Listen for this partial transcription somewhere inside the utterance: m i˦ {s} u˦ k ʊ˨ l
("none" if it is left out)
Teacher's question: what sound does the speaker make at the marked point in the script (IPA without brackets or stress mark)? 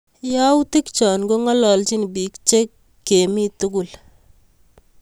t